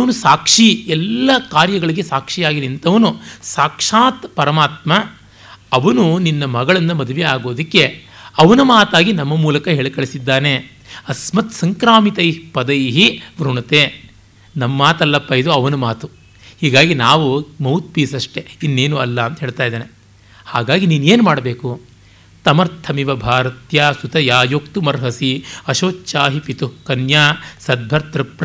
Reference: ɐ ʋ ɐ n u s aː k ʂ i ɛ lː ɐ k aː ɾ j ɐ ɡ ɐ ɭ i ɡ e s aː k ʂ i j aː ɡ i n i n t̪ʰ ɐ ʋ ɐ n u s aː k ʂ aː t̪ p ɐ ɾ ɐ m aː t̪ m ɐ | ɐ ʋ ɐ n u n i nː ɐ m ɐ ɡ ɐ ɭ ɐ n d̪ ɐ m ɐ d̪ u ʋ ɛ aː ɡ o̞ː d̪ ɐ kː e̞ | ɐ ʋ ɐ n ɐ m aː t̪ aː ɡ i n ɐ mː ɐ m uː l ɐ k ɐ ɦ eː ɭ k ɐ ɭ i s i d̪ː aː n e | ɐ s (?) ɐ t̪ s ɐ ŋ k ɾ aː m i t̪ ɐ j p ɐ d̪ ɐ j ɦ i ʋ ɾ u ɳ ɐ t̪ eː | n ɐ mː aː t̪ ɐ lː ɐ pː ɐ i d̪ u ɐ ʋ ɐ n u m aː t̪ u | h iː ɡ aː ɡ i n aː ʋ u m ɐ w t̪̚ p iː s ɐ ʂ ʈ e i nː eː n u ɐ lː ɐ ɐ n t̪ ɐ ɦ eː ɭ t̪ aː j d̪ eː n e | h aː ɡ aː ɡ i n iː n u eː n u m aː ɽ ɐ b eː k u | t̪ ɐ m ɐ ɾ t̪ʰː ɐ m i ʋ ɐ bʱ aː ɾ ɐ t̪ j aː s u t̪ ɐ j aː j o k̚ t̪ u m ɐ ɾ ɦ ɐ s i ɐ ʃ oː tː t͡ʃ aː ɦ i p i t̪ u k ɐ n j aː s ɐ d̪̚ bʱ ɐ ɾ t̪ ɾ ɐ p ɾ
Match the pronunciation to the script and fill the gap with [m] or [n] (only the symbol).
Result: m